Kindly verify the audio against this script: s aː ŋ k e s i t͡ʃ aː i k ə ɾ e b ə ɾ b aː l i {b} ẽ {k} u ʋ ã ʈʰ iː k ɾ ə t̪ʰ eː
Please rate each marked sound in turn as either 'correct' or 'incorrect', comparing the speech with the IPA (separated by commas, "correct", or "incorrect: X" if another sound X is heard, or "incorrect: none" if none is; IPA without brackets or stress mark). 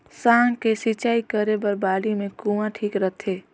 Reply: incorrect: m, correct